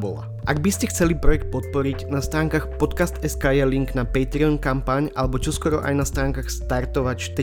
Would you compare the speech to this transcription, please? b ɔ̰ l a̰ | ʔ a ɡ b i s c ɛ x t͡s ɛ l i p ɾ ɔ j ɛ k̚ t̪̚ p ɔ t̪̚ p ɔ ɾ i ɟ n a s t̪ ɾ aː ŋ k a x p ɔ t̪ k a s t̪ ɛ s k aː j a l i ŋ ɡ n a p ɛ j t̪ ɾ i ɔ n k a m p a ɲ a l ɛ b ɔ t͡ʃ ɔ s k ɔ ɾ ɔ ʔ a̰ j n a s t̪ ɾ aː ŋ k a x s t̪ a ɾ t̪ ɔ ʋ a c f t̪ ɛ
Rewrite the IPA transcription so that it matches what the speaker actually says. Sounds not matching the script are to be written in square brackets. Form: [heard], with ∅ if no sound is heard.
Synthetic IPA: b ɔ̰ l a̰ | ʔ a ɡ b i s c ɛ x t͡s ɛ l i p ɾ ɔ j ɛ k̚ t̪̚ p ɔ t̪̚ p ɔ ɾ i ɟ n a s t̪ ɾ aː ŋ k a x p ɔ t̪ k a s t̪ ɛ s k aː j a l i ŋ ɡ n a p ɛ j t̪ ɾ i ɔ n k a m p a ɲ a l ɛ b ɔ t͡ʃ ɔ s k ɔ ɾ ɔ ʔ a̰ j n a s t̪ ɾ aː ŋ k a x s t̪ a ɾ t̪ ɔ ʋ a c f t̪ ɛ